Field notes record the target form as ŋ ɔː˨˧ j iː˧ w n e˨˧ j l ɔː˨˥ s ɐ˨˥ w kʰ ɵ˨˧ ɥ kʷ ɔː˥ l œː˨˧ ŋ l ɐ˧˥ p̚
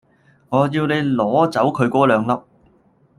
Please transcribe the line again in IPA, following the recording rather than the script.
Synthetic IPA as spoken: ŋ ɔː˨˧ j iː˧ w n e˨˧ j l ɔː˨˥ t͡s ɐ˨˥ w kʰ ɵ˨˧ ɥ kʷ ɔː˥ l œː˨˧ ŋ l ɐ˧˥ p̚